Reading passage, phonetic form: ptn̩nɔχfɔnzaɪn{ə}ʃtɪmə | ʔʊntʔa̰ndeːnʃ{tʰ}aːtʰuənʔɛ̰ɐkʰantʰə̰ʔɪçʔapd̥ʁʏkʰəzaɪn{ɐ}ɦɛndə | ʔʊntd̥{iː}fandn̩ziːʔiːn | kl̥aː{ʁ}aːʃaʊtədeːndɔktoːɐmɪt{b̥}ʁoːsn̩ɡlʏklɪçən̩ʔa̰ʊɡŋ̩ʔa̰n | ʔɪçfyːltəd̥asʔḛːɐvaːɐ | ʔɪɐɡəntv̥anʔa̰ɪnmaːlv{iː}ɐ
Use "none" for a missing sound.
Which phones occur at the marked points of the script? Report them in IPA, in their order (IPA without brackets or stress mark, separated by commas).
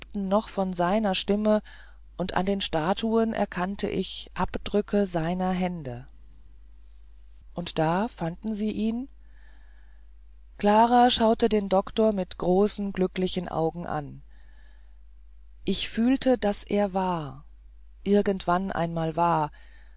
ɐ, t, ɐ, aː, ʁ, ɡ̥, aː